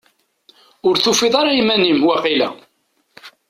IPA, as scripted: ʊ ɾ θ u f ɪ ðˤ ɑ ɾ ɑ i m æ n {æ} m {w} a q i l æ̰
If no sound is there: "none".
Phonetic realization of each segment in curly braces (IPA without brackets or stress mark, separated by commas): i, w